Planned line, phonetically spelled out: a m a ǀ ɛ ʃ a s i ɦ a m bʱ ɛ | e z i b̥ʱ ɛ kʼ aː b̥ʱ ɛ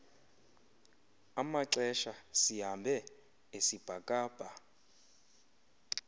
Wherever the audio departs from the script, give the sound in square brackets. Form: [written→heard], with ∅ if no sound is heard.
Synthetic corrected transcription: a m a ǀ ɛ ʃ a s i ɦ a m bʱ ɛ | e [z→s] i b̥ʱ [ɛ→a] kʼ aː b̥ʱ [ɛ→a]